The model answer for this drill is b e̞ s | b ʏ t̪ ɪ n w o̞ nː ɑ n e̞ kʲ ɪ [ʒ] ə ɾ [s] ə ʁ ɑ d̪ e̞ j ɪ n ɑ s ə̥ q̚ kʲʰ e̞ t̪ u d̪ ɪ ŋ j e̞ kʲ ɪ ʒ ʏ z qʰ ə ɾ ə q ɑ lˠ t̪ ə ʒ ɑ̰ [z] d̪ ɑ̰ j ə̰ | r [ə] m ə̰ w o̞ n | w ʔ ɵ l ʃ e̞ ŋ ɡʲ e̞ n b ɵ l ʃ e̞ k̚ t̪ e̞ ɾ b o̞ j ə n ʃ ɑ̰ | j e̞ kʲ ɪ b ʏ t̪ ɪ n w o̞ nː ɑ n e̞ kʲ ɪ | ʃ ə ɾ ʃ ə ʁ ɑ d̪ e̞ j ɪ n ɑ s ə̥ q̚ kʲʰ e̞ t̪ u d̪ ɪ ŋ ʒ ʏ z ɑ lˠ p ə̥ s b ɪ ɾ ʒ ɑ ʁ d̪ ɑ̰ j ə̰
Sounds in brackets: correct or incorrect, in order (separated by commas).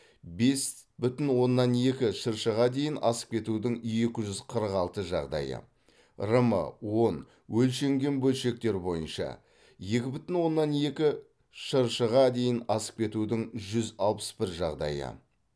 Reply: incorrect, incorrect, incorrect, correct